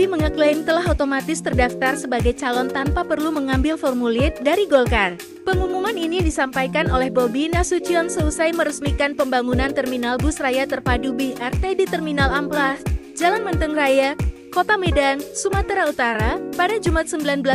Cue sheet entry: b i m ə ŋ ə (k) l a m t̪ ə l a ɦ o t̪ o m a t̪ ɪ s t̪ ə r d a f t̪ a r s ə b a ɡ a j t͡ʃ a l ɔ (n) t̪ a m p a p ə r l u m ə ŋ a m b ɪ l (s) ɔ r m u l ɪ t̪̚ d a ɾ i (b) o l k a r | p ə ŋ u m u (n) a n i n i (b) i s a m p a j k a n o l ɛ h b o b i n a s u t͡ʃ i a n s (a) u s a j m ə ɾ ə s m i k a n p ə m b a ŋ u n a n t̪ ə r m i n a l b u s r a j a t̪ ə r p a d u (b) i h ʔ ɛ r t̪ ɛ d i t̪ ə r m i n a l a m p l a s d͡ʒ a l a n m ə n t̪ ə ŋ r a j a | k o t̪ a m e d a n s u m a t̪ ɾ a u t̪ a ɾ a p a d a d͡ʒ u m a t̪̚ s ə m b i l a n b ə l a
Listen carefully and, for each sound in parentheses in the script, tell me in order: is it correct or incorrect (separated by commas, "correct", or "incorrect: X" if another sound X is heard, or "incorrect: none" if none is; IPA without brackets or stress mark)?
correct, correct, incorrect: f, incorrect: ɡ, incorrect: m, incorrect: d, incorrect: ə, correct